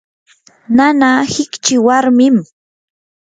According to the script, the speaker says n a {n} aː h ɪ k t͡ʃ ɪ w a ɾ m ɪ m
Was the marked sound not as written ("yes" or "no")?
no